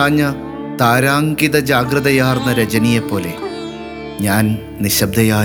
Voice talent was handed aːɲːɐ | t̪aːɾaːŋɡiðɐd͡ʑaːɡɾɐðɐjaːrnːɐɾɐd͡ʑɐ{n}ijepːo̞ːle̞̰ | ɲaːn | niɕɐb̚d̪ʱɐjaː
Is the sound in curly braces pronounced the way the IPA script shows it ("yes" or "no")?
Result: yes